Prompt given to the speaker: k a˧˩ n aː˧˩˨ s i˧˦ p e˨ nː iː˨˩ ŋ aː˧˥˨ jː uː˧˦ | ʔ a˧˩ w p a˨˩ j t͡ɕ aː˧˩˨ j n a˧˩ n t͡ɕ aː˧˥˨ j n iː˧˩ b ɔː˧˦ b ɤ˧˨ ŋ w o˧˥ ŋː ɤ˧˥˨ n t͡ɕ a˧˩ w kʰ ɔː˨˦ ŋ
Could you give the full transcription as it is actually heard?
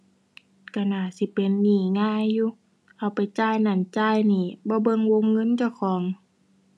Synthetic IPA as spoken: k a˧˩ n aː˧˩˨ s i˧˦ p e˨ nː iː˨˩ ŋ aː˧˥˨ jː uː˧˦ | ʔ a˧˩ w p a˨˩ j t͡ɕ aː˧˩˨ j n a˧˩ n t͡ɕ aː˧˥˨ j n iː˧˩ b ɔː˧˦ b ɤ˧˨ ŋ w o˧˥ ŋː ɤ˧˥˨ n t͡ɕ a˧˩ w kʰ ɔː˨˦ ŋ